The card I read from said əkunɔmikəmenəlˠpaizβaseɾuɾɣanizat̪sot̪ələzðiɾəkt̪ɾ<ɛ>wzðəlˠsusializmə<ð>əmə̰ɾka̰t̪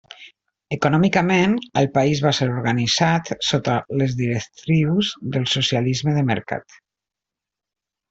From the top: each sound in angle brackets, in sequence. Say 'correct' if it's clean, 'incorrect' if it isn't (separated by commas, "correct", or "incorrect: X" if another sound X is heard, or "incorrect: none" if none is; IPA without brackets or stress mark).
incorrect: i, correct